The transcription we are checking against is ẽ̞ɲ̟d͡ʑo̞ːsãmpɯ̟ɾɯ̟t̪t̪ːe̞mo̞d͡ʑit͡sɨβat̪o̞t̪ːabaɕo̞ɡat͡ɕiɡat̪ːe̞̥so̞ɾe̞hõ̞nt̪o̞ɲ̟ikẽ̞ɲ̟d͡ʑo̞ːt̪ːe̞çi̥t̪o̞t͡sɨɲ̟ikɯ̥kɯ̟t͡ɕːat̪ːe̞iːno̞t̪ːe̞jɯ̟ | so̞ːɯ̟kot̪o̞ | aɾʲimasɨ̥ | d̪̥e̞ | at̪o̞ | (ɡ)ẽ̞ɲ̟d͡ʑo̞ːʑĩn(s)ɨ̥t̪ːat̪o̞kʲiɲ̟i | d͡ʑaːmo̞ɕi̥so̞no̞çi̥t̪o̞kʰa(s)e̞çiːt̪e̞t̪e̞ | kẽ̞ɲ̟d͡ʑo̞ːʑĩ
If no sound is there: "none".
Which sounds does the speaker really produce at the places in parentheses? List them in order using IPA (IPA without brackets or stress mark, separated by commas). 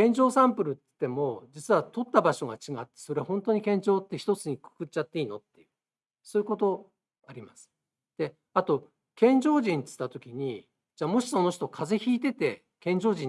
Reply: k, t͡s, z